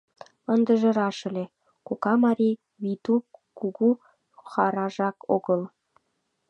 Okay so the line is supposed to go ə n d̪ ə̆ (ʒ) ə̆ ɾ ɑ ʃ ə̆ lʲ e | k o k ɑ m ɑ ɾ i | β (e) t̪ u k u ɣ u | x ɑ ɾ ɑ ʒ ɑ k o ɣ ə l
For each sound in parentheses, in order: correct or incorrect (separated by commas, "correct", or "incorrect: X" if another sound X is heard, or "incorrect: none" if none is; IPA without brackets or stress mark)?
correct, incorrect: i